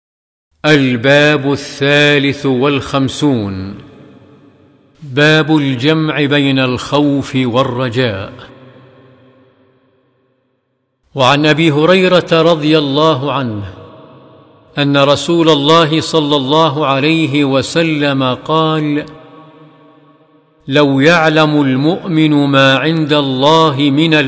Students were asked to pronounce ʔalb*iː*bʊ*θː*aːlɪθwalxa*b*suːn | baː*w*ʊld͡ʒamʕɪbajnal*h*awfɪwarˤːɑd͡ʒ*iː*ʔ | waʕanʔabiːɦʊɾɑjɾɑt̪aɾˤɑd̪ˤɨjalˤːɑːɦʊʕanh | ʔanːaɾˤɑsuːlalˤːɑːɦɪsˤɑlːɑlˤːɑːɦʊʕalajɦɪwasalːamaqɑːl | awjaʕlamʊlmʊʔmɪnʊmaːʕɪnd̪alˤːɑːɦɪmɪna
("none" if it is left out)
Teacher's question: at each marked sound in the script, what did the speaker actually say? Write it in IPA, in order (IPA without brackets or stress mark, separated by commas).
aː, θː, m, b, x, aː